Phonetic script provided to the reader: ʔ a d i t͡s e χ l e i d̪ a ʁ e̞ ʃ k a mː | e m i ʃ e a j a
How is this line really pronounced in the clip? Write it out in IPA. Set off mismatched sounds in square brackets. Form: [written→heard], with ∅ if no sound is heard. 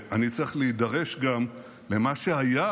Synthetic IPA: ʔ a [d→n] i t͡s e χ l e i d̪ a ʁ e̞ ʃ [k→ɡ] a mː | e m [i→a] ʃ e a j a